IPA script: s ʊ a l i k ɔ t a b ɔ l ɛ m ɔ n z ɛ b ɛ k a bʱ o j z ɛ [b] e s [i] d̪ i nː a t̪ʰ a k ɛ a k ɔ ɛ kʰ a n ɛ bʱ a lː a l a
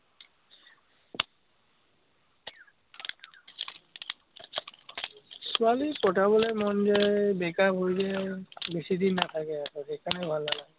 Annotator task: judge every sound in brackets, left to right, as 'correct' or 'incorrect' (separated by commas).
correct, correct